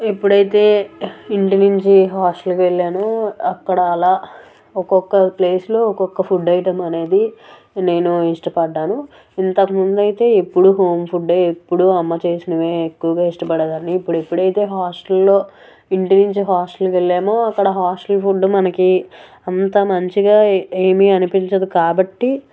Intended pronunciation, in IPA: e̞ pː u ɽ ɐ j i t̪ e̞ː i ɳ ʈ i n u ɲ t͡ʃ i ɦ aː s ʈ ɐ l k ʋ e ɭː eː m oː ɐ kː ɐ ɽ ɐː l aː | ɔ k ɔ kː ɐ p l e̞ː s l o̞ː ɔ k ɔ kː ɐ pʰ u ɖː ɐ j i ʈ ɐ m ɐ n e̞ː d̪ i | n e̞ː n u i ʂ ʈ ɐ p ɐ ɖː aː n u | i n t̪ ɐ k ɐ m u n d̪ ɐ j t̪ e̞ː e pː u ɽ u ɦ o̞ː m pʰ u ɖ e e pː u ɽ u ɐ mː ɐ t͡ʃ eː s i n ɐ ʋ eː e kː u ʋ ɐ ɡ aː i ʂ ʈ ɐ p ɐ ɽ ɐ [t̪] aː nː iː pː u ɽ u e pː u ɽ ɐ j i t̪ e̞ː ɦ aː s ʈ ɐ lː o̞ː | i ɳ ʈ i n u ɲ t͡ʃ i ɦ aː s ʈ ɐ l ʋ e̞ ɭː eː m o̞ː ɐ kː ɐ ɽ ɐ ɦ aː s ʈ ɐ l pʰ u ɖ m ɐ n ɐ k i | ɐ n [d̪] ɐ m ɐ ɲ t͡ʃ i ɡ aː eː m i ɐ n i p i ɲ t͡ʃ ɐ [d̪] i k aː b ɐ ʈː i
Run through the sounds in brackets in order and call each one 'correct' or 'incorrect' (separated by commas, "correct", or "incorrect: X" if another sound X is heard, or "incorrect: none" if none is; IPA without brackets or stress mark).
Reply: incorrect: d̪, incorrect: t̪, correct